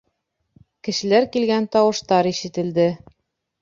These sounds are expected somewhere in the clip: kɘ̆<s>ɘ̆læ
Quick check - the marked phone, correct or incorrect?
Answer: incorrect